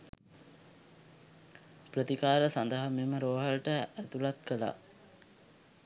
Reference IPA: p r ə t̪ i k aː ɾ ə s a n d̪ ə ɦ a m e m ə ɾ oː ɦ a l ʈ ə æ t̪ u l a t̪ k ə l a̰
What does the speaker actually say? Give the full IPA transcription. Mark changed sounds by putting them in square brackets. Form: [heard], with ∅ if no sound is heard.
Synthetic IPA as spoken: p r ə t̪ i k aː ɾ ə s a n d̪ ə ɦ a m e m ə ɾ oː ɦ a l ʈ ə æ t̪ u l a t̪ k ə l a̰